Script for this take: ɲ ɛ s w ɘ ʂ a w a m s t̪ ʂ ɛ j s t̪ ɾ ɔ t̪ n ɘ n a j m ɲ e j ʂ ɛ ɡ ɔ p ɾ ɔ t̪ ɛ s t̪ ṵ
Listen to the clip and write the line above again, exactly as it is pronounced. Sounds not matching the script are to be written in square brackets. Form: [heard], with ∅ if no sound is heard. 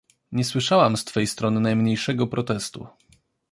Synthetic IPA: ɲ ɛ s w ɘ ʂ a w a m s t̪ [f] ɛ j s t̪ ɾ ɔ [∅] n ɘ n a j m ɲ e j ʂ ɛ ɡ ɔ p ɾ ɔ t̪ ɛ s t̪ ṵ